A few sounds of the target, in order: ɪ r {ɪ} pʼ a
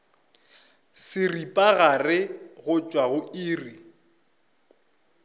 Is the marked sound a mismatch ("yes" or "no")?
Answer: yes